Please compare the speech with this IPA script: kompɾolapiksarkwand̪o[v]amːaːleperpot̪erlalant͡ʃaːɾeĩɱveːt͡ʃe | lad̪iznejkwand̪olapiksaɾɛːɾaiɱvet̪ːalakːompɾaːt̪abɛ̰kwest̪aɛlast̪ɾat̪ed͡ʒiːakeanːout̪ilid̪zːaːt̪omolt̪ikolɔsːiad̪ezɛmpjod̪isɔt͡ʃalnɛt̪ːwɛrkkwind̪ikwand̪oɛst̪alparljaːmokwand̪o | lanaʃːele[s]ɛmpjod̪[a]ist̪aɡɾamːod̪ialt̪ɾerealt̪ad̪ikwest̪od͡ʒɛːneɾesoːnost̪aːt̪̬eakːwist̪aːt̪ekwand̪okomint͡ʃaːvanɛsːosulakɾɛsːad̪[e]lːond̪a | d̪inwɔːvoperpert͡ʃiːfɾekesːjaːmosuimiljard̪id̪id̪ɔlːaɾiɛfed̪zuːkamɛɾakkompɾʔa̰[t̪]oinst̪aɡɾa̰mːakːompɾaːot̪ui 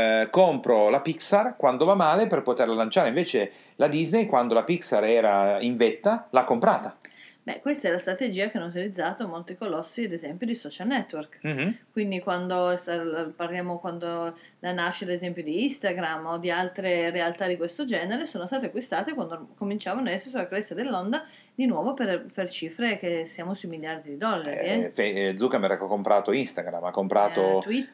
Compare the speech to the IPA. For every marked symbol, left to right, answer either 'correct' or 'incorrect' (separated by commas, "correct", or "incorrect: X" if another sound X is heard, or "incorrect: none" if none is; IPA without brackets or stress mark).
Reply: correct, incorrect: z, incorrect: i, correct, correct